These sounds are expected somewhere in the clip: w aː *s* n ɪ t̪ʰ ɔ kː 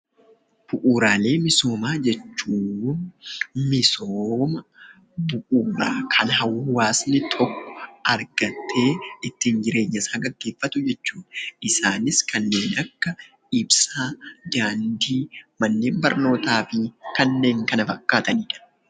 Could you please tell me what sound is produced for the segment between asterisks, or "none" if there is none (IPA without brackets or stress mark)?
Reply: s